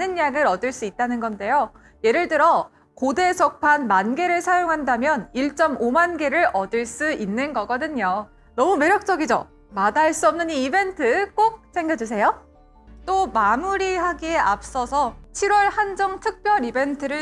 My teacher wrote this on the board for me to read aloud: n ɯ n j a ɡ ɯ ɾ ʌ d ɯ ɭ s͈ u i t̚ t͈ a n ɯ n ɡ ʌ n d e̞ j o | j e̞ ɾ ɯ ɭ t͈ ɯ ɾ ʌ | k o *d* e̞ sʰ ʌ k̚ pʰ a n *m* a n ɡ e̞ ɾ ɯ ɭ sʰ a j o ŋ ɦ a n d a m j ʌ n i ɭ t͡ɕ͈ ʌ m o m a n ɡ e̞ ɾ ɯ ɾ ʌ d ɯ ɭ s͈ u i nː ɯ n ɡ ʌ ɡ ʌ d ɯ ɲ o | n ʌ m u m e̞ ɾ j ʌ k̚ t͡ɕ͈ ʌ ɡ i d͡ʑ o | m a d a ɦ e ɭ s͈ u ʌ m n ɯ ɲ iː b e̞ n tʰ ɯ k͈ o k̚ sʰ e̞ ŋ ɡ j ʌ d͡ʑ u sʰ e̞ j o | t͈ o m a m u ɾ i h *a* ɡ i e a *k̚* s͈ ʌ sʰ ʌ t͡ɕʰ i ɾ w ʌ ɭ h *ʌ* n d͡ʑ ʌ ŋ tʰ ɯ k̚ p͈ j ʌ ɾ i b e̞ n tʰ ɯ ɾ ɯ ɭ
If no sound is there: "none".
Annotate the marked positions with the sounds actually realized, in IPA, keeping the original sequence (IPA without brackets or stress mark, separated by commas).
d, m, a, p̚, a